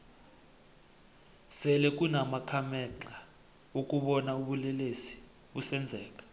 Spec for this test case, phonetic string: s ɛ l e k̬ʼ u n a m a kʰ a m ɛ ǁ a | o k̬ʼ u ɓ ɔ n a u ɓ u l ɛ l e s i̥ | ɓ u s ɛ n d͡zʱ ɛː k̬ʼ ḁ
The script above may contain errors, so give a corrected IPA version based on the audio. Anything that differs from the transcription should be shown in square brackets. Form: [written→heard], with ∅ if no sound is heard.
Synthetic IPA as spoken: s ɛ l [e→ɛ] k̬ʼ u n a m a kʰ a m ɛ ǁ a | o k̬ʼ u ɓ ɔ n a u ɓ u l ɛ l e s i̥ | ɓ u s ɛ n d͡zʱ ɛː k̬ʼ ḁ

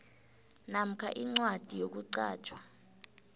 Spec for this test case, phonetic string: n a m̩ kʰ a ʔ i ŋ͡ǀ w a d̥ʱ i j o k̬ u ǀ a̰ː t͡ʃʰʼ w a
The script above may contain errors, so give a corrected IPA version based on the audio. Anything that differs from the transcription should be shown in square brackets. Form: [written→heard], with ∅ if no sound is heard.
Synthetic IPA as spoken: n a m̩ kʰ a ʔ i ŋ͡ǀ w a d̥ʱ i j o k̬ u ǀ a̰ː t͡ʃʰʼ w a

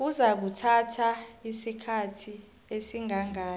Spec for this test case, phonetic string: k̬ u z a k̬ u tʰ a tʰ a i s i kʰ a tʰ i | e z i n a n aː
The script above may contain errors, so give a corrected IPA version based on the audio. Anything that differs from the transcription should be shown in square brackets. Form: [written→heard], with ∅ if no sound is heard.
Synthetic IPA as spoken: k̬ u z a k̬ u tʰ a tʰ a i s i kʰ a tʰ i | e [z→s] i [n→ŋ] a [n→ŋ] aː

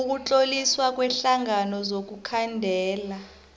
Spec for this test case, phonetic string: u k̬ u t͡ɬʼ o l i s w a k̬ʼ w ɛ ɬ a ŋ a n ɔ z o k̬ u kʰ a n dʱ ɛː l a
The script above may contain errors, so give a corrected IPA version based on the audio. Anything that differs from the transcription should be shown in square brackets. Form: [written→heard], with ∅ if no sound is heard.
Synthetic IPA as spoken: u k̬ u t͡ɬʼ o l i s w a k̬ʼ w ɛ ɬ a ŋ a n ɔ z o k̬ u kʰ a n dʱ ɛː l a

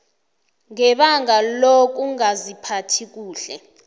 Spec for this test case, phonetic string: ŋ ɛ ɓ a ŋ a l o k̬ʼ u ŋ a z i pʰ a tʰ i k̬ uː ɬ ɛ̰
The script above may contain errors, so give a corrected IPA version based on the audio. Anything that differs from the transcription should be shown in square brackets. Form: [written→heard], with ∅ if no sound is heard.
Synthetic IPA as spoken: ŋ ɛ ɓ a ŋ a l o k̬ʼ u ŋ a z i pʰ a tʰ i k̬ uː ɬ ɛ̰

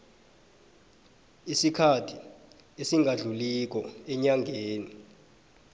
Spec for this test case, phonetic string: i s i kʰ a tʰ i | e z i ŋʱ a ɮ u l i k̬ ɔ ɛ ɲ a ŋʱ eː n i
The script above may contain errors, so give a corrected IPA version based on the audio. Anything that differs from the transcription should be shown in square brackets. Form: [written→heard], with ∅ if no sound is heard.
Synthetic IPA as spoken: i s i kʰ a tʰ i | e [z→s] i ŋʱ a ɮ u l i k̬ ɔ ɛ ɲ a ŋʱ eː n i

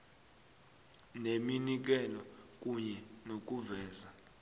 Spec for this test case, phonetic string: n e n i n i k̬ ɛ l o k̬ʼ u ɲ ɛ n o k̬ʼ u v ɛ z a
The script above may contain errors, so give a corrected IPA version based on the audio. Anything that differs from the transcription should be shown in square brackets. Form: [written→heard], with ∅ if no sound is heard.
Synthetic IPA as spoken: n e [n→m] i n i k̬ ɛ l [o→ɔ] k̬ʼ u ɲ ɛ n o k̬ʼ u v [ɛ→ɛː] z a

